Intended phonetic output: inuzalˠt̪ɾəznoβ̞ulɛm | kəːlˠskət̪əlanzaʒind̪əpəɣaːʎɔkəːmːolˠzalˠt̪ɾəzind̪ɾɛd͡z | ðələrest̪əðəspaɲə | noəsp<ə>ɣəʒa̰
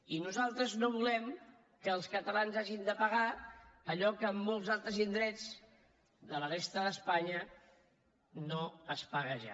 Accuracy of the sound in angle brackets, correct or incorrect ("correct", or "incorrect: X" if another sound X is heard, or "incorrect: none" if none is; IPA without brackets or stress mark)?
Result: incorrect: a